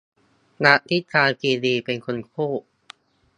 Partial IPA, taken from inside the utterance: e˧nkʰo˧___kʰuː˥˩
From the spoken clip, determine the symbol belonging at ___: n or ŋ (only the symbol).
n